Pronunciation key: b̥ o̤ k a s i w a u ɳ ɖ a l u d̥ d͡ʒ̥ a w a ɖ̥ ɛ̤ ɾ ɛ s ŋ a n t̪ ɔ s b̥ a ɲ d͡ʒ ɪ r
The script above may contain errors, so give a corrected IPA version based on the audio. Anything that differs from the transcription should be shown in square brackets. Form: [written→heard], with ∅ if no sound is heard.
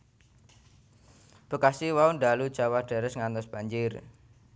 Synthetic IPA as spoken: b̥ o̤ k a s i w a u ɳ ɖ a l u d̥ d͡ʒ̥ a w a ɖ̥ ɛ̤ ɾ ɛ s ŋ a n t̪ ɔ s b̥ a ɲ d͡ʒ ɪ r